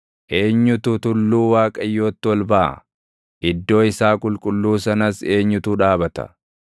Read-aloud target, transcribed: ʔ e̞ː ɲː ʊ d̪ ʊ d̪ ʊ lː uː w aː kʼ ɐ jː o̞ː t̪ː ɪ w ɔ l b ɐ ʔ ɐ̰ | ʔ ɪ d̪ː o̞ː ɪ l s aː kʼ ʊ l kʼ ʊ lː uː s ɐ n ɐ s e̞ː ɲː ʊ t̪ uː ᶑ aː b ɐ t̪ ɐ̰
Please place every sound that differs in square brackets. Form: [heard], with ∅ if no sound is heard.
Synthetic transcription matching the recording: ʔ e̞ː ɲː ʊ [t̪] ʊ [t̪] ʊ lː uː w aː kʼ ɐ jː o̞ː t̪ː ɪ w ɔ l b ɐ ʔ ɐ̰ | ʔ ɪ d̪ː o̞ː ɪ [∅] s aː kʼ ʊ l kʼ ʊ lː uː s ɐ n ɐ s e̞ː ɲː ʊ t̪ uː ᶑ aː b ɐ t̪ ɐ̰